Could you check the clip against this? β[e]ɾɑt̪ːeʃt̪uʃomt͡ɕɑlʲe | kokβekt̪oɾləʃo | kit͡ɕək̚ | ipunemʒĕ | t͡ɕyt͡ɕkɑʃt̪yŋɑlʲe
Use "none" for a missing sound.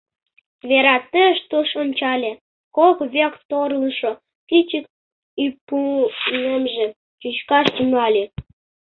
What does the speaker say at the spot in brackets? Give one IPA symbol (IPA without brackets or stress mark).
e